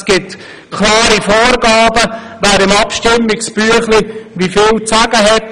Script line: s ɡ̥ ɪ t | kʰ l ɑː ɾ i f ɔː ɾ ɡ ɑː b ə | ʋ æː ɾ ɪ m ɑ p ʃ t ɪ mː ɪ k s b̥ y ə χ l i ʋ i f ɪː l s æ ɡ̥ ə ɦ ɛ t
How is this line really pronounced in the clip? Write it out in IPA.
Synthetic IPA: s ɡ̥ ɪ t | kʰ l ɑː ɾ i f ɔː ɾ ɡ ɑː b ə | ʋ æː ɾ ɪ m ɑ p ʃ t ɪ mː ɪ k s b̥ y ə χ l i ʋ i f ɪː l t͡s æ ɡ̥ ə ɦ ɛ t